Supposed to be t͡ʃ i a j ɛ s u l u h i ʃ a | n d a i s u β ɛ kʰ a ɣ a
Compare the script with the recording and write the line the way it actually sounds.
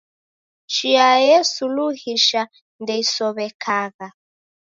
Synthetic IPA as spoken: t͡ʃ i a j ɛ s u l u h i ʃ a | n d ɛ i s ɔ β ɛ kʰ a ɣ a